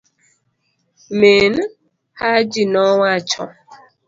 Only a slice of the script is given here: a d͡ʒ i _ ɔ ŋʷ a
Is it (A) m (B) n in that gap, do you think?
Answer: B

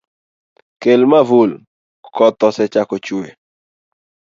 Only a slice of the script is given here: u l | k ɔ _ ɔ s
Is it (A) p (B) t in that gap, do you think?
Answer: B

